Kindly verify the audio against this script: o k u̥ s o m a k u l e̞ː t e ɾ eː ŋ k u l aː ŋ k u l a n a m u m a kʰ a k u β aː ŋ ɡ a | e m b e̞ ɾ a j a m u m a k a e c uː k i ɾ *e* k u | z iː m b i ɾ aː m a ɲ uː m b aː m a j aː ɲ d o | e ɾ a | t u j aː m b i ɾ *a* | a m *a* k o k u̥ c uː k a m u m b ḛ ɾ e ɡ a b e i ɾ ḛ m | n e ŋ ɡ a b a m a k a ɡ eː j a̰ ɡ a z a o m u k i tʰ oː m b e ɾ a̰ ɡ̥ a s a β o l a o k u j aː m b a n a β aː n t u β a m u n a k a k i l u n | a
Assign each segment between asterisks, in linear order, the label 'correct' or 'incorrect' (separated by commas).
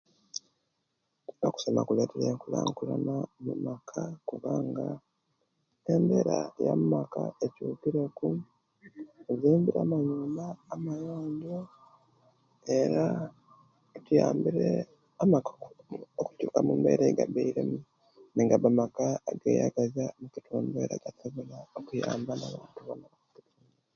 correct, incorrect, correct